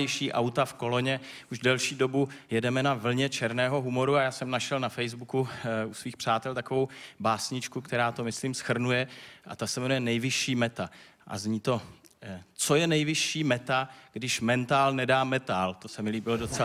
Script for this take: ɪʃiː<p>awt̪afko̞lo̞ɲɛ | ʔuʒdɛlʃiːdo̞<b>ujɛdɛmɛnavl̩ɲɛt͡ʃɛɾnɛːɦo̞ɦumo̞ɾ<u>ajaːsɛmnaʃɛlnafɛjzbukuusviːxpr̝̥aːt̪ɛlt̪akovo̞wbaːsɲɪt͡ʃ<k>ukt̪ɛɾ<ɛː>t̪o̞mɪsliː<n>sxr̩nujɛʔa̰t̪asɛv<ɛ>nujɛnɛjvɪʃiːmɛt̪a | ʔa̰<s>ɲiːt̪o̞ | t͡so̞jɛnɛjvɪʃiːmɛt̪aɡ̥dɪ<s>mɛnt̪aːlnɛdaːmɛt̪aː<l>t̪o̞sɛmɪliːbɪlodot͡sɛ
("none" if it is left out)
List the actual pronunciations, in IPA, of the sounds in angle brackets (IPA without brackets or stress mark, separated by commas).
ʔ, b, u, k, aː, m, ɛ, z, ʃ, l